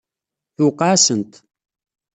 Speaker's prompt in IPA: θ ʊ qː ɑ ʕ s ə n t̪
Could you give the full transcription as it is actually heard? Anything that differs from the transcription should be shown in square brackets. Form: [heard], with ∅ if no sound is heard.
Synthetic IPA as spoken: θ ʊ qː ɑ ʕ s ə n t̪